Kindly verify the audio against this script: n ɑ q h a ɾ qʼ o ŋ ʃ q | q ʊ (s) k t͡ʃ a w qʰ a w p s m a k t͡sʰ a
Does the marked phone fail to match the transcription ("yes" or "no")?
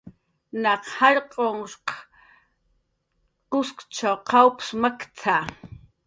no